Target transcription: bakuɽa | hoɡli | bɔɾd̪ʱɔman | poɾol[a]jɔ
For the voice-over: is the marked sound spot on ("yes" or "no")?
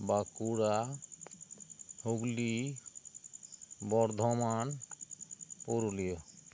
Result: no